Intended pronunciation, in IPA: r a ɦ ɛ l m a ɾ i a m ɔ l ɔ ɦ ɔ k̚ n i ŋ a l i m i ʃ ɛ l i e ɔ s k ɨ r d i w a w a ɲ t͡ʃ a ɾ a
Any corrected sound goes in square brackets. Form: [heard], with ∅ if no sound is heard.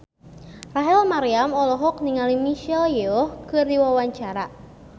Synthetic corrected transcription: r a ɦ ɛ l m a ɾ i a m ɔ l ɔ ɦ ɔ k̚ n i ŋ a l i m i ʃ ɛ l [j] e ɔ [h] k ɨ r d i w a w a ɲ t͡ʃ a ɾ a